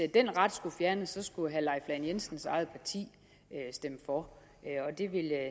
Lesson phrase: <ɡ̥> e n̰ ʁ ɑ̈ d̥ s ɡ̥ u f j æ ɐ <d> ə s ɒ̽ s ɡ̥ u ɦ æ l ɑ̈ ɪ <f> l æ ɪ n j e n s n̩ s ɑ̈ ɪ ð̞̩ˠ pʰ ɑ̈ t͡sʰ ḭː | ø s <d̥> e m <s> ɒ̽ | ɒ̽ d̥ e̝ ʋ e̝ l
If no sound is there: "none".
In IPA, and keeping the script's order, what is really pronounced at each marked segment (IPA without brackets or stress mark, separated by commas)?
d̥, n, f, d̥, f